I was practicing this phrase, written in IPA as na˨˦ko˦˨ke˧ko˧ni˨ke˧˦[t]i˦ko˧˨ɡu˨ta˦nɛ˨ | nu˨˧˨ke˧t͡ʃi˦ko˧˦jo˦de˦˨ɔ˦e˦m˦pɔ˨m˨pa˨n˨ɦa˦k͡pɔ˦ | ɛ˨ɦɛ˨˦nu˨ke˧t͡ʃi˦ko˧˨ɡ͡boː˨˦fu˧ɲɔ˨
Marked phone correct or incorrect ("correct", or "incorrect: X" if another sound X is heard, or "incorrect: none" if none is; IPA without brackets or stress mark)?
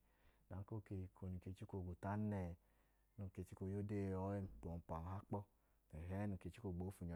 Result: incorrect: t͡ʃ